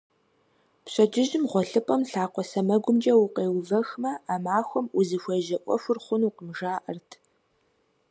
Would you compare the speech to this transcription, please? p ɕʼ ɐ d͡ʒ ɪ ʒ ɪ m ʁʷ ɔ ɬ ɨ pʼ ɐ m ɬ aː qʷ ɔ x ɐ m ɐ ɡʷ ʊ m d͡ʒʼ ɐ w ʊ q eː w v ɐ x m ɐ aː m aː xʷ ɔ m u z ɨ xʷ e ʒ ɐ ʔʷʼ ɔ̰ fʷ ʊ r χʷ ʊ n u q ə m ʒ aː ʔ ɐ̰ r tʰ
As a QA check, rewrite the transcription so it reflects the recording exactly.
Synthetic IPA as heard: p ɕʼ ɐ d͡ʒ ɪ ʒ ɪ m ʁʷ ɔ ɬ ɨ pʼ ɐ m ɬ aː qʷ ɔ s ɐ m ɐ ɡʷ ʊ m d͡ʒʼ ɐ w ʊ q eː w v ɐ x m ɐ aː m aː xʷ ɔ m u z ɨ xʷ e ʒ ɐ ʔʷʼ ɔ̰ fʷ ʊ r χʷ ʊ n u q ə m ʒ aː ʔ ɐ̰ r tʰ